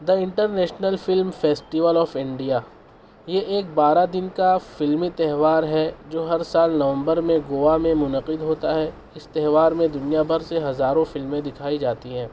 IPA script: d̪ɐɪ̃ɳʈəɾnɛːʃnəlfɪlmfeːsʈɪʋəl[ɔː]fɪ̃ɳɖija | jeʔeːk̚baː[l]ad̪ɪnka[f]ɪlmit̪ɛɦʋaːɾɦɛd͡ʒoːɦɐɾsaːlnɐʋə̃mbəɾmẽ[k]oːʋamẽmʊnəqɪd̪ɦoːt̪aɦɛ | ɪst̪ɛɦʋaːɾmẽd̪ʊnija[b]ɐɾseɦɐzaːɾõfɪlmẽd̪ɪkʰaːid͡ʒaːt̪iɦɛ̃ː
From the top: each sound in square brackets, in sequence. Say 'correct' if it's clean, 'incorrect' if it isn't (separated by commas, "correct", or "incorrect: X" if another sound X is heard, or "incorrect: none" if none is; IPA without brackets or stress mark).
correct, incorrect: ɾ, correct, incorrect: ɡ, correct